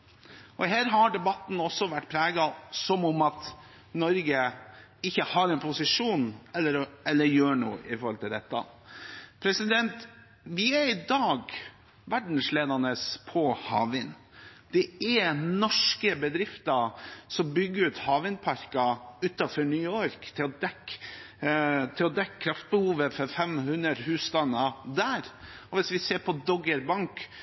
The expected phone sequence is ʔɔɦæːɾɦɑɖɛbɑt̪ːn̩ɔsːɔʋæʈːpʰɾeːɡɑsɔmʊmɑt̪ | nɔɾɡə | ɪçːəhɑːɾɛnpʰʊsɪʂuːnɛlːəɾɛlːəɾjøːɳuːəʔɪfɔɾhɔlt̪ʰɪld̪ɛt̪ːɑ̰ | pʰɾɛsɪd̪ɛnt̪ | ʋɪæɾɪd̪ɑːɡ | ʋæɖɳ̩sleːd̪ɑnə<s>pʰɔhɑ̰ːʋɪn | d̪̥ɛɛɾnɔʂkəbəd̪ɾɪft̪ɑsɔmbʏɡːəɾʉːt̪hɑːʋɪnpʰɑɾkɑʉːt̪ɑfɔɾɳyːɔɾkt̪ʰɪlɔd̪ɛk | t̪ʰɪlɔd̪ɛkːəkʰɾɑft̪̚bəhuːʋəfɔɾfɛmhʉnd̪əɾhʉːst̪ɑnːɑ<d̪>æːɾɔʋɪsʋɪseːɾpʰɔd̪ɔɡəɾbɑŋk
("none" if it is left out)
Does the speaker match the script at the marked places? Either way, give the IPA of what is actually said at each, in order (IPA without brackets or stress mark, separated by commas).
s, d̪